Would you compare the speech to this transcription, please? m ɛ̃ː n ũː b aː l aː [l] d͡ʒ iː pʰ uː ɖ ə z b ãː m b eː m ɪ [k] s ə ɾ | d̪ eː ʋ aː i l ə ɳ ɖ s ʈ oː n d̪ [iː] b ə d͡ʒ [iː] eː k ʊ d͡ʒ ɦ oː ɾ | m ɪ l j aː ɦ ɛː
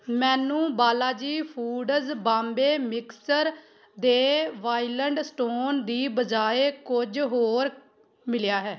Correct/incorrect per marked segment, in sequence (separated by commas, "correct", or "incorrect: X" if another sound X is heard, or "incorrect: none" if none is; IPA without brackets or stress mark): incorrect: none, correct, correct, incorrect: aː